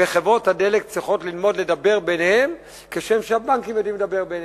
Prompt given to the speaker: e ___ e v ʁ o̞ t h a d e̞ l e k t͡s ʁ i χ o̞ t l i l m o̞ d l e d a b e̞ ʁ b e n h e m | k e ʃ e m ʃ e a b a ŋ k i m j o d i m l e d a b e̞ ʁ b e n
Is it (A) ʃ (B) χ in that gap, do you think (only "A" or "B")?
B